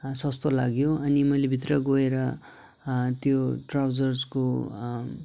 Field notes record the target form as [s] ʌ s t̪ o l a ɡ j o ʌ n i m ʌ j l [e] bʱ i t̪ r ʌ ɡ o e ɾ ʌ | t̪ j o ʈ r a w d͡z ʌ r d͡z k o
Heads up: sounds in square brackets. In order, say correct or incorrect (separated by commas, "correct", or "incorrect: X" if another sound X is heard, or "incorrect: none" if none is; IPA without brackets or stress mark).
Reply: correct, correct